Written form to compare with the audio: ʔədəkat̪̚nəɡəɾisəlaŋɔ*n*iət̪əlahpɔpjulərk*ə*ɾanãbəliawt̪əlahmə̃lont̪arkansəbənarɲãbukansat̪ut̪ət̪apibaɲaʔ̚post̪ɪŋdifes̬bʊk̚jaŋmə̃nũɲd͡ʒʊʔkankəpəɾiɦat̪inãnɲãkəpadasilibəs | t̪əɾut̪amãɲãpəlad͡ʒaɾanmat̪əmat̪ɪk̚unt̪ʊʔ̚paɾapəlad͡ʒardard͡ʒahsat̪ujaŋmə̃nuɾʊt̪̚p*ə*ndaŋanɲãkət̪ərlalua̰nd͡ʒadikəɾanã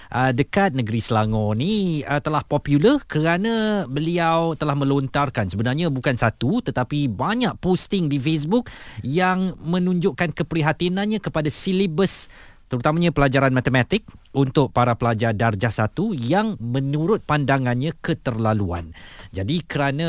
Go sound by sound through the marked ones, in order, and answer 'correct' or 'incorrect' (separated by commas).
correct, correct, incorrect